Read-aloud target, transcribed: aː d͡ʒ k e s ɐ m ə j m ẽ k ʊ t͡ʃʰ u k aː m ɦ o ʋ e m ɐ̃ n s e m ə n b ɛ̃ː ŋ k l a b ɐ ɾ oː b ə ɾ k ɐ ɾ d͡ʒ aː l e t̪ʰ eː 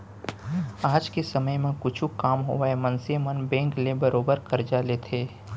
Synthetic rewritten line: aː d͡ʒ k e s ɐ m ə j m ẽ k ʊ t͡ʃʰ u k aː m ɦ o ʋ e m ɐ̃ n s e m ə n b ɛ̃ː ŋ k l e b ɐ ɾ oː b ə ɾ k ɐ ɾ d͡ʒ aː l e t̪ʰ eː